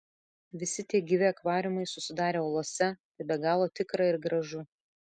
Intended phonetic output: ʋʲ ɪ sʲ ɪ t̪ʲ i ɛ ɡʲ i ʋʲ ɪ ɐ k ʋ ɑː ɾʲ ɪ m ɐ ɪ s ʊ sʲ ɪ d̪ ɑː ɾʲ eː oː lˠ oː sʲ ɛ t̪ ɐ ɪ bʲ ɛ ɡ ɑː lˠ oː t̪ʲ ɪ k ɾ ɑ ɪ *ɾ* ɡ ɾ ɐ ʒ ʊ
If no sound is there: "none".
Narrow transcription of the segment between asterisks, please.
ɾ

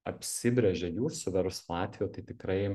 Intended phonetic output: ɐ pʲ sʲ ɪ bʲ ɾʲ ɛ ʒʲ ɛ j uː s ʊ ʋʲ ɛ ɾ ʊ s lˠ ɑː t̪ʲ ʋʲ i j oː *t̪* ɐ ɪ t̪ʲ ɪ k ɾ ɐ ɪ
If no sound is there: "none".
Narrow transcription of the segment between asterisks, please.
t̪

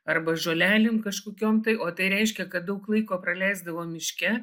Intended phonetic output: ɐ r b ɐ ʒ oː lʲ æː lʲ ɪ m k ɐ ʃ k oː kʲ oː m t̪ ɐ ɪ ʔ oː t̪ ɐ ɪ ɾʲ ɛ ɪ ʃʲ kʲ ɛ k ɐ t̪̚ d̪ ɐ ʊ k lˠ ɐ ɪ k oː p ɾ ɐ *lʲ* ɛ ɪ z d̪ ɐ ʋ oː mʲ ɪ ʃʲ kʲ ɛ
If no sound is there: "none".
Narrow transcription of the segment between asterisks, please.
lʲ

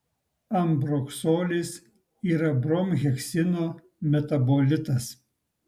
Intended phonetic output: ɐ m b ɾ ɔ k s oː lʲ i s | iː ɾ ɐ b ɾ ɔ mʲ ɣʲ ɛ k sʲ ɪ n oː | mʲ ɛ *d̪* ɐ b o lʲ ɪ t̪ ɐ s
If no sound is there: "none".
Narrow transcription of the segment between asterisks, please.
t̪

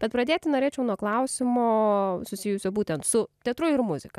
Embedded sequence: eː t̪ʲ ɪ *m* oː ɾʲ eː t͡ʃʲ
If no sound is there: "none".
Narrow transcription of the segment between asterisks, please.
n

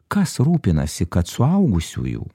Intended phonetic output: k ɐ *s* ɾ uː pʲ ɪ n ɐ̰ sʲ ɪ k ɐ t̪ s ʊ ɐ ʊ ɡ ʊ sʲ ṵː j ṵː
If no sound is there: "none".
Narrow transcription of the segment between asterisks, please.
s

